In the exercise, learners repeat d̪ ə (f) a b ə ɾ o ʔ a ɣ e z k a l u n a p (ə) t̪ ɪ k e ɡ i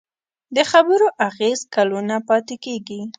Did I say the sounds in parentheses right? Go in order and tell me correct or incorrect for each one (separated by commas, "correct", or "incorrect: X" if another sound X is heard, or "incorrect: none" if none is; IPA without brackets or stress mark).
incorrect: x, incorrect: ɑ